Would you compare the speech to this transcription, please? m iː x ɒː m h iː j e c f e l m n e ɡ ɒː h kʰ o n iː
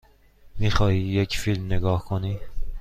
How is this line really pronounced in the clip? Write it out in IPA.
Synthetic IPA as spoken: m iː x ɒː h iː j e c f i l m n e ɡ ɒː h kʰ o n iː